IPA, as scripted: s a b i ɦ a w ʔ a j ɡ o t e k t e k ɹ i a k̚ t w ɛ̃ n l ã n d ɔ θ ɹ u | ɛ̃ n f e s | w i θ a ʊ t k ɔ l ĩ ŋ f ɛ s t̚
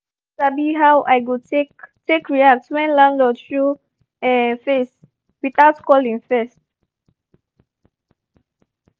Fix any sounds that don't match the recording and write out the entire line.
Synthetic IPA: s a b i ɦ a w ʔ a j ɡ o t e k t e k ɹ i a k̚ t w ɛ̃ n l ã n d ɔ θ ɹ u | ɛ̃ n f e s | w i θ a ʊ t k ɔ l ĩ ŋ f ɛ s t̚